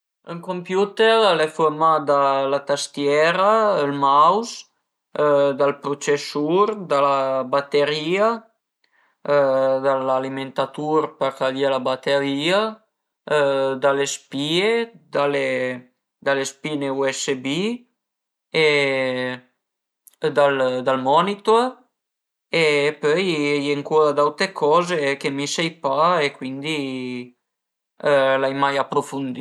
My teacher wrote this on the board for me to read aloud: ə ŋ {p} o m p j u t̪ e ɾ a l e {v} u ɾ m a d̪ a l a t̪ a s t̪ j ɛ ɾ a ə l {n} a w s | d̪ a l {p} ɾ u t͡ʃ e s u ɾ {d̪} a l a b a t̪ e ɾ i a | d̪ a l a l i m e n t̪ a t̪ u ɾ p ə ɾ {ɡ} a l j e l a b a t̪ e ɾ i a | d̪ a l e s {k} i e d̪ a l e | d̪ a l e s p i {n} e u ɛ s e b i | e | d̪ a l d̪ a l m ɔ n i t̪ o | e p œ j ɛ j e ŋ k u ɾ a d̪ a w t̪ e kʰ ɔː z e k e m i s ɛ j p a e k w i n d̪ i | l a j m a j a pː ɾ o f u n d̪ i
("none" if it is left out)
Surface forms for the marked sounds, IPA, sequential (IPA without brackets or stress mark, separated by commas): k, f, m, p, d̪, k, p, n